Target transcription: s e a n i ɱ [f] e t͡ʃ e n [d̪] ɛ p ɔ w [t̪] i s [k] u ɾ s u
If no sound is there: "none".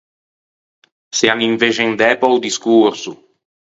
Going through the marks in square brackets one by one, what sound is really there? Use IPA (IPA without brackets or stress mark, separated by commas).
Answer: v, d̪, d̪, k